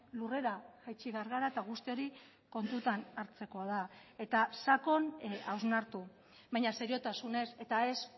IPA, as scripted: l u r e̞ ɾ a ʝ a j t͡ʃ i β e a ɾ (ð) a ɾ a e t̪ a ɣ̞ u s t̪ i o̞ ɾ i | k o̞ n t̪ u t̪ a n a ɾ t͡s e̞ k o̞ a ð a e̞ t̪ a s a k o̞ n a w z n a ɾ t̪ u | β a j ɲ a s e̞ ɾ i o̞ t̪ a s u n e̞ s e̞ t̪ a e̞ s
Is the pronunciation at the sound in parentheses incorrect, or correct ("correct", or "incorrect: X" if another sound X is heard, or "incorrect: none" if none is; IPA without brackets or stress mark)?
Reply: incorrect: ɣ